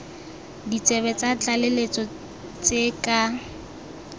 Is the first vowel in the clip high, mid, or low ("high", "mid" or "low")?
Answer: high